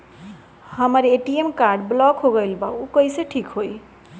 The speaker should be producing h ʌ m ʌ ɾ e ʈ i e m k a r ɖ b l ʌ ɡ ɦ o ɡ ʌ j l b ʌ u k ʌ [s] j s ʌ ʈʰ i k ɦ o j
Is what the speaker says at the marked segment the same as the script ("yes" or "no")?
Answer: no